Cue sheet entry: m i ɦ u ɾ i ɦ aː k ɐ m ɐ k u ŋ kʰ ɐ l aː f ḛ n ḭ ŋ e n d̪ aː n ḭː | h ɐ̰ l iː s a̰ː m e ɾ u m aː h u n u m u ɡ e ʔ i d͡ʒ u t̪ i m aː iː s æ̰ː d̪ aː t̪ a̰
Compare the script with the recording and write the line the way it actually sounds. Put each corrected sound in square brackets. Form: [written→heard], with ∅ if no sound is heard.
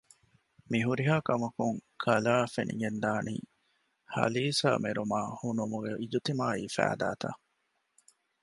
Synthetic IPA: m i ɦ u ɾ i ɦ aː k ɐ m ɐ k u ŋ kʰ ɐ l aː f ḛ n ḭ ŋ e n d̪ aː n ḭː | h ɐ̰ l iː s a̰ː m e ɾ u m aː h u n u m u ɡ e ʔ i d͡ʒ u t̪ i m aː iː [s→f] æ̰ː d̪ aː t̪ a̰